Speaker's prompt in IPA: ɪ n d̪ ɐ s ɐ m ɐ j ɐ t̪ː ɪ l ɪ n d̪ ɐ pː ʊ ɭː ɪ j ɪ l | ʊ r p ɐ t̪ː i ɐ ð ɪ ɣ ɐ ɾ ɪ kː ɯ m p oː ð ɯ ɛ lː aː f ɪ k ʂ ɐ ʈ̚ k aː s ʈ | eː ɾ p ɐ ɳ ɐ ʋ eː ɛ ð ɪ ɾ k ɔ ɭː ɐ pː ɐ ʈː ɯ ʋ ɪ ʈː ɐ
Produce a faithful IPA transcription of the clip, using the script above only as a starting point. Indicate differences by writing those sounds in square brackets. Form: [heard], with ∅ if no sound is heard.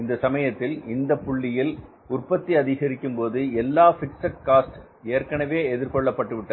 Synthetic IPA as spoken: ɪ n d̪ ɐ s ɐ m ɐ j ɐ t̪ː ɪ l ɪ n d̪ ɐ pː ʊ ɭː ɪ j ɪ l | ʊ r p ɐ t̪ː i ɐ ð ɪ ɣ ɐ ɾ ɪ kː ɯ m p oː ð ɯ ɛ lː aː f ɪ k [s] ɐ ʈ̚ k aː s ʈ | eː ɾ [k] ɐ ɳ ɐ ʋ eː ɛ ð ɪ ɾ k ɔ ɭː ɐ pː ɐ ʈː ɯ ʋ ɪ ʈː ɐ